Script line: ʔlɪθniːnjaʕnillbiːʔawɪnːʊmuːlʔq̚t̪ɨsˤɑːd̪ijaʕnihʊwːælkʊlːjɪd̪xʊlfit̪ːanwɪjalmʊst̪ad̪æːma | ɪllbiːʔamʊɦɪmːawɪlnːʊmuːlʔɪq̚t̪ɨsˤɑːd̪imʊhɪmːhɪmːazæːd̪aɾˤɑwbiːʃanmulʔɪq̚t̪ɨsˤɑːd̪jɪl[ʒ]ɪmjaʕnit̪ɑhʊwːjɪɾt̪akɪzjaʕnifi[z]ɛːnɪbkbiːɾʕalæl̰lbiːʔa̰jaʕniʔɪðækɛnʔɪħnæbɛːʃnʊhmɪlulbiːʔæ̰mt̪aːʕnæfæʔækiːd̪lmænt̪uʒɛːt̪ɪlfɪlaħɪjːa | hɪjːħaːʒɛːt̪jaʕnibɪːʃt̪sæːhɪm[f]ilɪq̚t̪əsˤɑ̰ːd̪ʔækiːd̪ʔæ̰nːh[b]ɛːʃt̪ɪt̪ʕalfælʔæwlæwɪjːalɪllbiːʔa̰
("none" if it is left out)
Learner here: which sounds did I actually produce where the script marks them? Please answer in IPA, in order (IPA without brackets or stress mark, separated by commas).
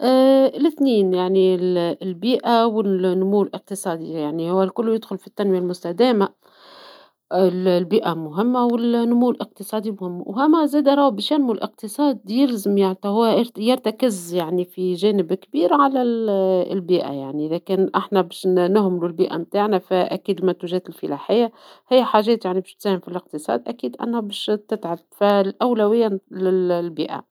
z, ʒ, f, b